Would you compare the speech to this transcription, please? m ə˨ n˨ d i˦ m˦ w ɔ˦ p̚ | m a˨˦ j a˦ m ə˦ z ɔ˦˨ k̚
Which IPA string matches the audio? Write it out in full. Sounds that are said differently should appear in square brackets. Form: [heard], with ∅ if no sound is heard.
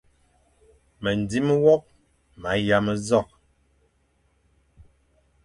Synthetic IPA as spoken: m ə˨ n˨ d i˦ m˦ w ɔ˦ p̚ | m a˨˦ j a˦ m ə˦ z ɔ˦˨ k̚